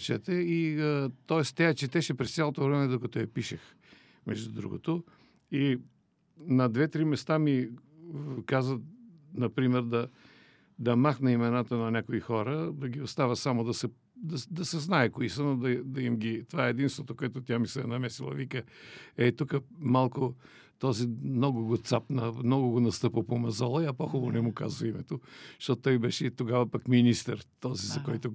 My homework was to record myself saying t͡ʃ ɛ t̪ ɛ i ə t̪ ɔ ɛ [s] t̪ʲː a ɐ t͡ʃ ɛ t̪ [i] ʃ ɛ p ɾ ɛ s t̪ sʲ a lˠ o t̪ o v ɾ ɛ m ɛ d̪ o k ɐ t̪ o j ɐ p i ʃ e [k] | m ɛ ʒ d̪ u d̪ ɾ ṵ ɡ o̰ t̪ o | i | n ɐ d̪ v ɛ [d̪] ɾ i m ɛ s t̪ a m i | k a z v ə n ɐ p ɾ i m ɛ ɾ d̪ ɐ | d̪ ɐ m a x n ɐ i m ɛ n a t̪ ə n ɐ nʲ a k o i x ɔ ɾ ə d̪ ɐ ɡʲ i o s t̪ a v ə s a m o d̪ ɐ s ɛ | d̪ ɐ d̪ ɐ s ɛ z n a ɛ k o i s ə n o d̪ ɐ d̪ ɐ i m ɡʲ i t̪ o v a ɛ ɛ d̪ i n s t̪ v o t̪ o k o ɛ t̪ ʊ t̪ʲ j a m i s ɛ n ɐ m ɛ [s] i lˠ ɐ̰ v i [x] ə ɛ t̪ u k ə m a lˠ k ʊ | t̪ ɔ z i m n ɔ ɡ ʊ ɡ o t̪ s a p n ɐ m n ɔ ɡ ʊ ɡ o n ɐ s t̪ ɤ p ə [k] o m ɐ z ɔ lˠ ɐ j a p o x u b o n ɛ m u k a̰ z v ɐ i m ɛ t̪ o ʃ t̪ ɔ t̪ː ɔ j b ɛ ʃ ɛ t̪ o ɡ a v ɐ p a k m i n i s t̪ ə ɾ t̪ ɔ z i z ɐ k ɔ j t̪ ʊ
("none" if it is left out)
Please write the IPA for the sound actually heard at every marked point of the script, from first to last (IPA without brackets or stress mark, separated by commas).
s, ɛ, x, t̪, s, k, p